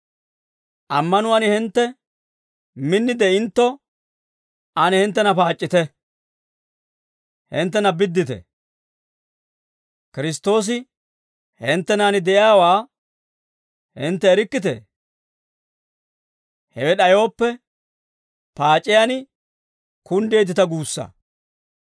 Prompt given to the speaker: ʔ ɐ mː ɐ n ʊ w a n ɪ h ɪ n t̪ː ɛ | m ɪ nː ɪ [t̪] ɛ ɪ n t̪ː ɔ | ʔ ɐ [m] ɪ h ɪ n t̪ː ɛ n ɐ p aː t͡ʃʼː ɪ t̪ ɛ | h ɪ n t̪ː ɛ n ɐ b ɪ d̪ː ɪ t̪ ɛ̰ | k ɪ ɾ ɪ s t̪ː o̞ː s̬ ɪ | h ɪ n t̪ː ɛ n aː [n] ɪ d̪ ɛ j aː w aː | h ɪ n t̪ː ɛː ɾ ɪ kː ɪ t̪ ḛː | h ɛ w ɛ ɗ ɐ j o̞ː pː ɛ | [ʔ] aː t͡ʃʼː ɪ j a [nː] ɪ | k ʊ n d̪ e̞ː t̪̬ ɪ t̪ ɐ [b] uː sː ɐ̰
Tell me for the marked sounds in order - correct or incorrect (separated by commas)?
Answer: incorrect, incorrect, correct, incorrect, incorrect, incorrect